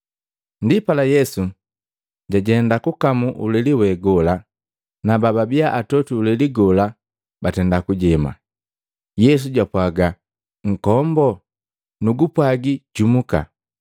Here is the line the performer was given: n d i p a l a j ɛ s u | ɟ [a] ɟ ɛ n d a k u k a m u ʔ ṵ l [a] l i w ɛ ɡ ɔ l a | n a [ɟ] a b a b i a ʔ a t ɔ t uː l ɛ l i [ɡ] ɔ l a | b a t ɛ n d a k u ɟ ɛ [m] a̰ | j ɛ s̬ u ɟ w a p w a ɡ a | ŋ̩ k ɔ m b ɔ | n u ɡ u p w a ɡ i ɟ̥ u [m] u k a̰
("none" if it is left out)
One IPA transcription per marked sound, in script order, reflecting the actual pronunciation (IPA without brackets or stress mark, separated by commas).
a, ɛ, b, ɡ, m, m